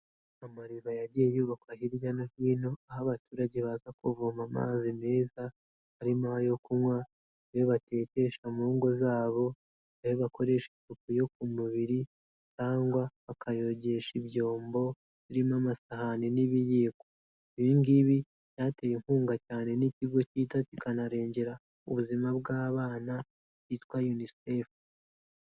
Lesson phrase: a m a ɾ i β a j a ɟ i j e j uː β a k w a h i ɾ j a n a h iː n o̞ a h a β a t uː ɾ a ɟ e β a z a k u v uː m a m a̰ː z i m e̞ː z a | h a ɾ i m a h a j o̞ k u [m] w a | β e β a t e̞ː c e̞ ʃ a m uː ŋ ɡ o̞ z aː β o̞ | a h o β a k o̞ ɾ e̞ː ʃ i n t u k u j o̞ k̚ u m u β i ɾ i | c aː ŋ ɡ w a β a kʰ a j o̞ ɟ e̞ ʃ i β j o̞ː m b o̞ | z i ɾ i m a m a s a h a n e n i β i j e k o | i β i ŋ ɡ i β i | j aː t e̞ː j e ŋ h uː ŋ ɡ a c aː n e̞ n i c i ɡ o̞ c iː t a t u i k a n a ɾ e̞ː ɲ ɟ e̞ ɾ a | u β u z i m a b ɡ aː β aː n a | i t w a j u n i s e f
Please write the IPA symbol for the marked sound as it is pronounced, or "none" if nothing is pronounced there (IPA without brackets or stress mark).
m